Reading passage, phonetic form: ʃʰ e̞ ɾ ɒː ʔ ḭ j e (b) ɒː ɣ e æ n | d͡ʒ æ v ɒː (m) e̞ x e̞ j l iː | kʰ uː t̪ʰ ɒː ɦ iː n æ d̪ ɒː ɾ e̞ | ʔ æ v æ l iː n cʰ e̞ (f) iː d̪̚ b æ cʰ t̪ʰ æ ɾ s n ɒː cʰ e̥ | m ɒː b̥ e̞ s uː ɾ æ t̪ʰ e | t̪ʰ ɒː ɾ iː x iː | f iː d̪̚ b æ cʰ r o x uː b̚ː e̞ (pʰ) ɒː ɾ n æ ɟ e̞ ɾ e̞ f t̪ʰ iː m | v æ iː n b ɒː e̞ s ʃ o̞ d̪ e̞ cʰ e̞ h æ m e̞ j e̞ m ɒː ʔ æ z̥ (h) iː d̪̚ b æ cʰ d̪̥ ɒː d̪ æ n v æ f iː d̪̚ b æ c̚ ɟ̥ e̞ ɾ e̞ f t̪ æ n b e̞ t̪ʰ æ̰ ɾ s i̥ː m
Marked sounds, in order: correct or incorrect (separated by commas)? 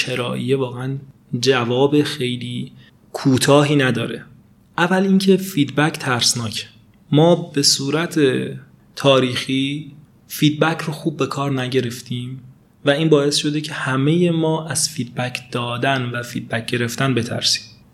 incorrect, incorrect, correct, incorrect, incorrect